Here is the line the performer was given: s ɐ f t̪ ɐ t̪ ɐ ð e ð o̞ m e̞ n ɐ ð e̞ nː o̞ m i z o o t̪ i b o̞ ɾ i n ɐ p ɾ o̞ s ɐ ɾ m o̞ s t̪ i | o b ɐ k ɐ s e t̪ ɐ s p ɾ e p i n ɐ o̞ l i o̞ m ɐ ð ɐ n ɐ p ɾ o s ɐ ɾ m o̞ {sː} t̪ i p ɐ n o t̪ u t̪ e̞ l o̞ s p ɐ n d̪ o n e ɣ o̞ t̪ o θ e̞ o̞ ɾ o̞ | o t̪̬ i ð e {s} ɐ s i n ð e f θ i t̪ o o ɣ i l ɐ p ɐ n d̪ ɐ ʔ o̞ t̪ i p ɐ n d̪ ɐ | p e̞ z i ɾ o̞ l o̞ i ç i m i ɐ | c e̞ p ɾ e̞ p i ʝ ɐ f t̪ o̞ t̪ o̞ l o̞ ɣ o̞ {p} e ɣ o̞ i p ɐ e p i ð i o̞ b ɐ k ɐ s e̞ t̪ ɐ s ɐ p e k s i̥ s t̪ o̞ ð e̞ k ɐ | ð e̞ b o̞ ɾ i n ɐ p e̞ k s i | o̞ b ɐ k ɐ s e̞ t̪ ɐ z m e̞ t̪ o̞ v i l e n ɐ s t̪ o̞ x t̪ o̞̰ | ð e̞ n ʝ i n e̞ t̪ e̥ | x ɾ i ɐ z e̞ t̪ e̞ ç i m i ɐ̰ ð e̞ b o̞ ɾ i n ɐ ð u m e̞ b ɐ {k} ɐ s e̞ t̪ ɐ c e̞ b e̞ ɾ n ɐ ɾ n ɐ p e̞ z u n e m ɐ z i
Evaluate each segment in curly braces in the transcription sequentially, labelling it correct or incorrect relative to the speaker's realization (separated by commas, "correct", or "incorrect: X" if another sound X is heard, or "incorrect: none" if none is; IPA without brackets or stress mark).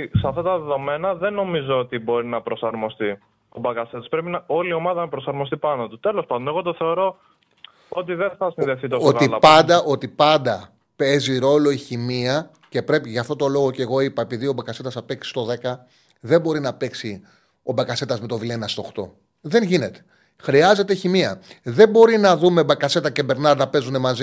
incorrect: s, incorrect: θ, incorrect: c, correct